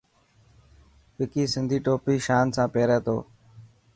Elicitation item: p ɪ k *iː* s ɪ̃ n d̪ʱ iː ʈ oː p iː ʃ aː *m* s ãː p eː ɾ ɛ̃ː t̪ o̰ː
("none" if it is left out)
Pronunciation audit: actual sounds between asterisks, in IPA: iː, n

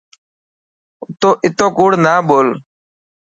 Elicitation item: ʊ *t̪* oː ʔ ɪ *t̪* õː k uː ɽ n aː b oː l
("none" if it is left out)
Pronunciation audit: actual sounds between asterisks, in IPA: t̪, t̪

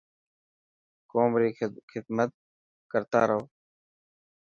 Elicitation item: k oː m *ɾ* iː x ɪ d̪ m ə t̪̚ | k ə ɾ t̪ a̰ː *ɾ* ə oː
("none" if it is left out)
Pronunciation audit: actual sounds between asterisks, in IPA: ɾ, ɾ

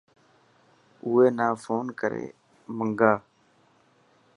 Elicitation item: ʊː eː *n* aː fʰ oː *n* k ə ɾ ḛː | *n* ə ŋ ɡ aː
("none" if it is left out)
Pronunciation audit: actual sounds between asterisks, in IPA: n, n, m

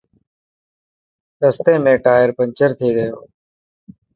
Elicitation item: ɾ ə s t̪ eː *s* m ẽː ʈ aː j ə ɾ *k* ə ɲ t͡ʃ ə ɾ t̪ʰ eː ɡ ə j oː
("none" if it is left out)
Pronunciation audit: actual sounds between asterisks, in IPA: none, p

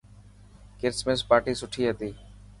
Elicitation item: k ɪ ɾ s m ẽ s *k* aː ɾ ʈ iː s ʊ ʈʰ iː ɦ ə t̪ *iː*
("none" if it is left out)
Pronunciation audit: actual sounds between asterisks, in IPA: p, iː

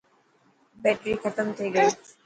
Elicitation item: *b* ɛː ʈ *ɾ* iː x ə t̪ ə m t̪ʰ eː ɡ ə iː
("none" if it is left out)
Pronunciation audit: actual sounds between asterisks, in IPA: b, ɾ

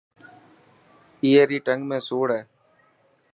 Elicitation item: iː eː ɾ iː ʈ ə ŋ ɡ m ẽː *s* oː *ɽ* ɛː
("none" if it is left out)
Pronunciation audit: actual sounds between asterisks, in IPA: s, ɽ

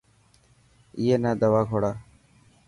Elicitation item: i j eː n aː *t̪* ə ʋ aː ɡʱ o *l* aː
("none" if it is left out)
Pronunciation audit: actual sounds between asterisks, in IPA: d̪, ɽ

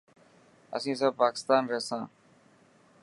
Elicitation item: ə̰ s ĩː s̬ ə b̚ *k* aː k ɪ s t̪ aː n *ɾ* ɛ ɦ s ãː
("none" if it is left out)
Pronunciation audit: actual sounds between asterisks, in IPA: p, ɾ

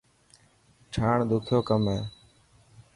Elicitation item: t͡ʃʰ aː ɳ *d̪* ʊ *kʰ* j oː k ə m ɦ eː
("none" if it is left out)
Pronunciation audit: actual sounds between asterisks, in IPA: d̪, kʰ

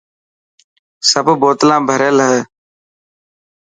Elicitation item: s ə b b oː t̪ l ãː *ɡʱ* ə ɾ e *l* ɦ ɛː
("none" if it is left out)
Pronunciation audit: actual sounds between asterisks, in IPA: bʱ, l

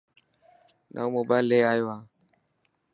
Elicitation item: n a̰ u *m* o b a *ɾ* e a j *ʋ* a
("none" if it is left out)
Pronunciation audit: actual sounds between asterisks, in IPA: m, l, w

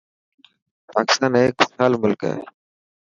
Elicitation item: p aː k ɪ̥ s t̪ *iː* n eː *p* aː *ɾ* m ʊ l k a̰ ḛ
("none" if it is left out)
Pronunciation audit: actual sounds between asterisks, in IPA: aː, k, l

